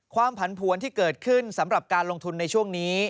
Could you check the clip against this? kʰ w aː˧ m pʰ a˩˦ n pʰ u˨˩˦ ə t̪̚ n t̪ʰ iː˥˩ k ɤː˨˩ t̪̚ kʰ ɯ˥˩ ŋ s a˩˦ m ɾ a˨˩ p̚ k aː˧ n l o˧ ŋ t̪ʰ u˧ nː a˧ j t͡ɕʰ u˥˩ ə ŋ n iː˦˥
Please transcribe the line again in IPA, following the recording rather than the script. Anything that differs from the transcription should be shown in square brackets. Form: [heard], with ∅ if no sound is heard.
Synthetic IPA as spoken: kʰ w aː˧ m pʰ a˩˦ n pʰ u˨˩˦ ə [∅] n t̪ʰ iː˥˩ k ɤː˨˩ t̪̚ kʰ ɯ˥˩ [n] s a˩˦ m ɾ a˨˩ p̚ k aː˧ n l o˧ ŋ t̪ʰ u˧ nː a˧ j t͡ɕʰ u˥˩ ə ŋ n iː˦˥